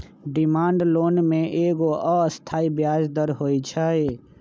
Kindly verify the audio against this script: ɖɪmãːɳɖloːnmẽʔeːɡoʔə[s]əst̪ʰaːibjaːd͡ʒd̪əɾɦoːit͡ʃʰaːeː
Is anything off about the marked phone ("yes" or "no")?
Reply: yes